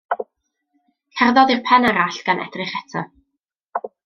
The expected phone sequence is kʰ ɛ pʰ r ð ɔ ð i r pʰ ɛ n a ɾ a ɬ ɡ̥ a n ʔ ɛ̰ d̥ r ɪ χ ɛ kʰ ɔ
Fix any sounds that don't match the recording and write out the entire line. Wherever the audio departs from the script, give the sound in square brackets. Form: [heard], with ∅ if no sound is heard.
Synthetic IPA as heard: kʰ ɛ [∅] r ð ɔ ð i r pʰ ɛ n a ɾ a ɬ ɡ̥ a n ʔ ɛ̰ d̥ r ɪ χ ɛ [tʰ] ɔ